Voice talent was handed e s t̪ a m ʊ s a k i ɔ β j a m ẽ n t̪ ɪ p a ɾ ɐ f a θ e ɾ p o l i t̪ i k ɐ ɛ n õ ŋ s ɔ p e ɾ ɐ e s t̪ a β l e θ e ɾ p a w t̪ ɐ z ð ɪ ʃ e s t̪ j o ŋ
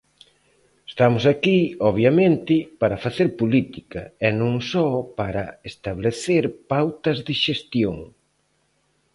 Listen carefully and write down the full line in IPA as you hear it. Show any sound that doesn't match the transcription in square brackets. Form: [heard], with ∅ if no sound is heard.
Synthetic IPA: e s t̪ a m ʊ s a k i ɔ β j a m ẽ n t̪ ɪ p a ɾ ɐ f a θ e ɾ p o l i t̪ i k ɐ ɛ n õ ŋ s ɔ p [a] ɾ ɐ e s t̪ a β l e θ e ɾ p a w t̪ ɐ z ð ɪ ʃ e s t̪ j o ŋ